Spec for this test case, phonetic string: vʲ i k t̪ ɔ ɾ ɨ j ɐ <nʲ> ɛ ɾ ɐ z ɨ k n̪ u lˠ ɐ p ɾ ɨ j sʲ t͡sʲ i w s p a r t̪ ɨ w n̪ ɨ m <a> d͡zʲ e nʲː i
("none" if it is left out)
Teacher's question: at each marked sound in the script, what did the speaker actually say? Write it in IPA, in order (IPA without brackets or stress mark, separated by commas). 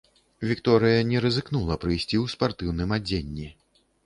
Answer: nʲ, a